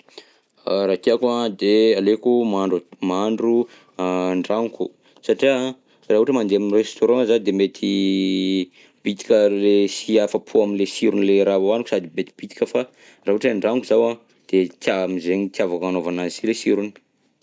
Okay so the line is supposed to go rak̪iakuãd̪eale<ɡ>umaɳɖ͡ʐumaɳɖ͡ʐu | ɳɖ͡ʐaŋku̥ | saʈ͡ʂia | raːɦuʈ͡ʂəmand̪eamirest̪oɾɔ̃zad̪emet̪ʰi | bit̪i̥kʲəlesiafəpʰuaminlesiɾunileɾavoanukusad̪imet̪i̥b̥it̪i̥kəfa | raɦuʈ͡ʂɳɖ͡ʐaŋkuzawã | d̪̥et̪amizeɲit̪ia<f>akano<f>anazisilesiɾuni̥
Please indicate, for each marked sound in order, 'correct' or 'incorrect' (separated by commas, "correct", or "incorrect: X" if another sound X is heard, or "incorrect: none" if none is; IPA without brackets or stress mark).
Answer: incorrect: k, incorrect: v, incorrect: v